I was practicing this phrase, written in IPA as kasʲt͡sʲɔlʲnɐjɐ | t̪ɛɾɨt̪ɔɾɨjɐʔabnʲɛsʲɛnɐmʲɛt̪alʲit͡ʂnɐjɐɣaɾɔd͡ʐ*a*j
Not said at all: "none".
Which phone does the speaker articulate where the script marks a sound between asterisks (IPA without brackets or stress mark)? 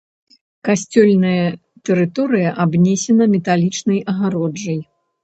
ɐ